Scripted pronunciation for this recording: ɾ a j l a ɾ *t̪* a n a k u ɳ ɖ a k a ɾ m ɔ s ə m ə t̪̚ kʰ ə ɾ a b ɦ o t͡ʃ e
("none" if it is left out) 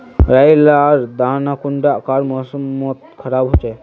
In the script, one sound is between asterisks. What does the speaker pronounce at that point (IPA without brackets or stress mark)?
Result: d̪